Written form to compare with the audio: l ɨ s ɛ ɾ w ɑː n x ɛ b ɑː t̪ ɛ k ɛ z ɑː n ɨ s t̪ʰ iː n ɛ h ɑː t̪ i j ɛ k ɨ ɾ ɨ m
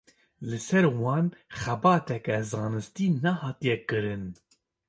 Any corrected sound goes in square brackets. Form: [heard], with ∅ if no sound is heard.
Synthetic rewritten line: l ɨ s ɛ ɾ w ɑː n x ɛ b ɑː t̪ ɛ k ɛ z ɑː n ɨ s [t̪] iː n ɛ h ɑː t̪ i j ɛ k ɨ ɾ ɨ [n]